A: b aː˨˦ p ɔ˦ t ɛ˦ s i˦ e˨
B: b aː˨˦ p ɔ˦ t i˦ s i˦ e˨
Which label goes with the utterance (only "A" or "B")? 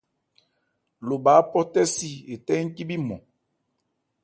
A